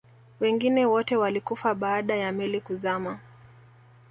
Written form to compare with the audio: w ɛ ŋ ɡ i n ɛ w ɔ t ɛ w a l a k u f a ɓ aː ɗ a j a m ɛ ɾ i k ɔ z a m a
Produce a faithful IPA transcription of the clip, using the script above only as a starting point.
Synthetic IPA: w ɛ ŋ ɡ i n ɛ w ɔ t ɛ w a l i k u f a ɓ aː ɗ a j a m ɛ l i k u z a m a